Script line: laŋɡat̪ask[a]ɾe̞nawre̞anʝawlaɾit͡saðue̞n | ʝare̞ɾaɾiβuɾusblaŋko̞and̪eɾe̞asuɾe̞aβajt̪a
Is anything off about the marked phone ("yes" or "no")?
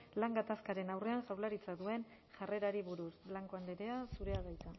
no